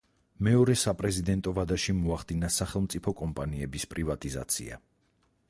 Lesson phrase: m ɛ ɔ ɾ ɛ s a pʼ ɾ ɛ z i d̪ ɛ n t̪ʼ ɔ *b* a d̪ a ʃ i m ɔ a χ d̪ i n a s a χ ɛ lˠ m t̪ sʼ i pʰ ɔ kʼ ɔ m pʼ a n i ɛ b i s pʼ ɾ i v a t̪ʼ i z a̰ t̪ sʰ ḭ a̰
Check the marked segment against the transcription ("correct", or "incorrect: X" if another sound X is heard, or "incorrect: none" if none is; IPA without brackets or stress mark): incorrect: v